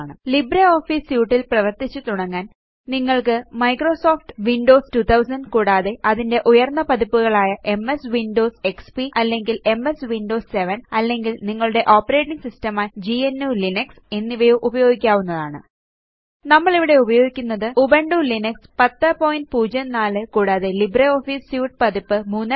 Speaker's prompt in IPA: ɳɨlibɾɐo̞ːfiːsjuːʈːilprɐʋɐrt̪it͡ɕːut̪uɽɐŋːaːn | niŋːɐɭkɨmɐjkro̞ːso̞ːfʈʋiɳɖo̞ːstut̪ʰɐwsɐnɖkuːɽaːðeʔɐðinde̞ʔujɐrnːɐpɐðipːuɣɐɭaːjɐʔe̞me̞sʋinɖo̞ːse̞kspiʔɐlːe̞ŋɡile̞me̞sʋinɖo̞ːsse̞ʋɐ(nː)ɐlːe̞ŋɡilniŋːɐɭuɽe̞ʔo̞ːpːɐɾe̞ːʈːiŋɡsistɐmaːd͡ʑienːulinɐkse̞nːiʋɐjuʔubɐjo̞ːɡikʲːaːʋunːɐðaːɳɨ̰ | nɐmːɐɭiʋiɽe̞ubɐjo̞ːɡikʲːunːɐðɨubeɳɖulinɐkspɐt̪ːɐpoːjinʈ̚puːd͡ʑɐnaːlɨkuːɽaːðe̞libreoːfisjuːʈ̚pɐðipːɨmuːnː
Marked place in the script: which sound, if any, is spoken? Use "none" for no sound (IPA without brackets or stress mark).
n